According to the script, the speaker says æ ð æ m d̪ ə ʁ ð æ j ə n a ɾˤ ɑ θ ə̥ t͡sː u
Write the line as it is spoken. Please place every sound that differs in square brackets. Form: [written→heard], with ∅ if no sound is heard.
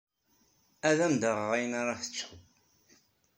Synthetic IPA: æ ð æ m d̪ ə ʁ [ð→ʁ] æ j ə n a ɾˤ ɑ θ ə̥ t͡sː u